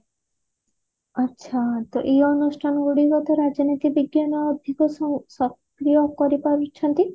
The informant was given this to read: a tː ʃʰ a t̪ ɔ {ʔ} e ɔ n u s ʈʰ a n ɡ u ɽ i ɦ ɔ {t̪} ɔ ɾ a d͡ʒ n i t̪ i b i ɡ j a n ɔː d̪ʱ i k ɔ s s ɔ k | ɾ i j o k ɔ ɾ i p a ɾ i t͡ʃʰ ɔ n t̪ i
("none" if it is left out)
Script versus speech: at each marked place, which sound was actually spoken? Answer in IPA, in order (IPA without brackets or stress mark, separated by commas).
ʔ, t̪